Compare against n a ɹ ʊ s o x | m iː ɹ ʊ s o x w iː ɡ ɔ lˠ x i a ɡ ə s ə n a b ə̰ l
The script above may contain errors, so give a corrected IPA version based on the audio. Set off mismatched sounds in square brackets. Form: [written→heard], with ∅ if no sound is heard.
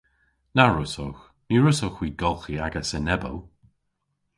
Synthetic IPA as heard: n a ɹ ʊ s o x | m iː ɹ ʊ s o x w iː ɡ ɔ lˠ x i a ɡ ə s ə n [a→ɛ] b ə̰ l